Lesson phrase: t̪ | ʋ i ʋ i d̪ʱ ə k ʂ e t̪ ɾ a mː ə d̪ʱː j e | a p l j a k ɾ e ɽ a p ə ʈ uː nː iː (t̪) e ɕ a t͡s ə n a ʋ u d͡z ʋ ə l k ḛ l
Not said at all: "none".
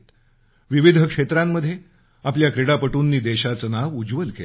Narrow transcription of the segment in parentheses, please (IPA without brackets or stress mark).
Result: d̪